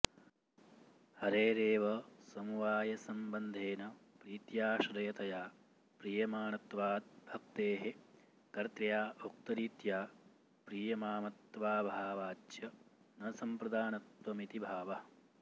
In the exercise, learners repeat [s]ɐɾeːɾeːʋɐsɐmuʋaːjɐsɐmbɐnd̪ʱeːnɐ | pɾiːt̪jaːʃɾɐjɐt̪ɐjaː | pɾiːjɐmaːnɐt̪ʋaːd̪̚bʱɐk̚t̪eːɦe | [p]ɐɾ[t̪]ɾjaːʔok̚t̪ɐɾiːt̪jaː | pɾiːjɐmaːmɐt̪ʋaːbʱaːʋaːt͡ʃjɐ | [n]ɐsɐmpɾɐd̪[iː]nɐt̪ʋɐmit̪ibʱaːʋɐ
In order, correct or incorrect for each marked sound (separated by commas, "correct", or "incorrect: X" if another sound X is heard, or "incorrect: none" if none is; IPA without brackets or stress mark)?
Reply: incorrect: h, incorrect: k, correct, correct, incorrect: aː